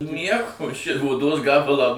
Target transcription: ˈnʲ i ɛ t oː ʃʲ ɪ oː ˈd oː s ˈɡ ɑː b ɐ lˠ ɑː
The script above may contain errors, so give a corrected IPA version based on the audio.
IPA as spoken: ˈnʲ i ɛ k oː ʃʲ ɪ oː ˈd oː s ˈɡ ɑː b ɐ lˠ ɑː

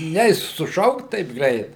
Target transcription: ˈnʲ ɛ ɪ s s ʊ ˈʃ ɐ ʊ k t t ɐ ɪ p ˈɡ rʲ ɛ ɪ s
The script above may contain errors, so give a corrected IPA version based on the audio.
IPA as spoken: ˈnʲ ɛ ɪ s s ʊ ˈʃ ɐ ʊ k t t ɐ ɪ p ˈɡ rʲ ɛ ɪ t

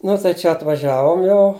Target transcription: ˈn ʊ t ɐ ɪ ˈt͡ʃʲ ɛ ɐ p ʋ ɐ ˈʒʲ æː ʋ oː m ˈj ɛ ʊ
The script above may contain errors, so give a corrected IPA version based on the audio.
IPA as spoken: ˈn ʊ t ɐ ɪ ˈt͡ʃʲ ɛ ɐ t ʋ ɐ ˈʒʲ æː ʋ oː m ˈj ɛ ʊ

